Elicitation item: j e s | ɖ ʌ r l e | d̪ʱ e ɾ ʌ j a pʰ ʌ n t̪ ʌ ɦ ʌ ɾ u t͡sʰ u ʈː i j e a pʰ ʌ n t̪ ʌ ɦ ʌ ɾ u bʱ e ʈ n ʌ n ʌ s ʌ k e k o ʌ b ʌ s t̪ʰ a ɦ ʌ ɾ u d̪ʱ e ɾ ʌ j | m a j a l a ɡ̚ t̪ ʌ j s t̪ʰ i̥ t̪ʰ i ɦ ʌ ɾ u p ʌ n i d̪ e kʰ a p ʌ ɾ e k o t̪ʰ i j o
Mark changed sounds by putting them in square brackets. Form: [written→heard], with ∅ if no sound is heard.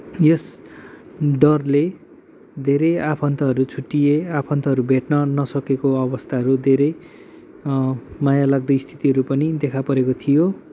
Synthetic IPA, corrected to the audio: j e s | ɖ ʌ r l e | d̪ʱ e ɾ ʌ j a pʰ ʌ n t̪ ʌ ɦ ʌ ɾ u t͡sʰ u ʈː i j e a pʰ ʌ n t̪ ʌ ɦ ʌ ɾ u bʱ e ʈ n ʌ n ʌ s ʌ k e k o ʌ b ʌ s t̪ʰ a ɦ ʌ ɾ u d̪ʱ e ɾ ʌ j | m a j a l a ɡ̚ [t̪→d̪] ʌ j s t̪ʰ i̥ [t̪ʰ→t̪] i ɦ ʌ ɾ u p ʌ n i d̪ e kʰ a p ʌ ɾ e k o t̪ʰ i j o